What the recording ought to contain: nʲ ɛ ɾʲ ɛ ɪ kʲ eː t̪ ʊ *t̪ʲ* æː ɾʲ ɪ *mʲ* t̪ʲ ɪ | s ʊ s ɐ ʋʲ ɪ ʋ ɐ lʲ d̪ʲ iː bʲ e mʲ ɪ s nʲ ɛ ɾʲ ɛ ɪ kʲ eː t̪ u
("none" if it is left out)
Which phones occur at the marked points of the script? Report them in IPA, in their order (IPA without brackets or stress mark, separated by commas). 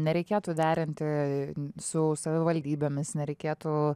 d̪ʲ, nʲ